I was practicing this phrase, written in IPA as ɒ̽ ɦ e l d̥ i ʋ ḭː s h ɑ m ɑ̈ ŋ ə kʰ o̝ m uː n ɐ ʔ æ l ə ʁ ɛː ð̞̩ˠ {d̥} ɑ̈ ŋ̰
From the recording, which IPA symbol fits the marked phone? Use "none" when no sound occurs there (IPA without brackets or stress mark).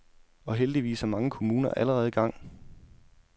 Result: ɡ̥